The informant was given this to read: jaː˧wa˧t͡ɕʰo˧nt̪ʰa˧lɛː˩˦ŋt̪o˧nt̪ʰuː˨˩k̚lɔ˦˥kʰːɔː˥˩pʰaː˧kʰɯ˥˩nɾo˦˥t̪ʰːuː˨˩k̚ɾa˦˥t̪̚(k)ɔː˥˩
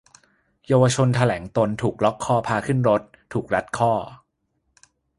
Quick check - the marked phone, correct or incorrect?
incorrect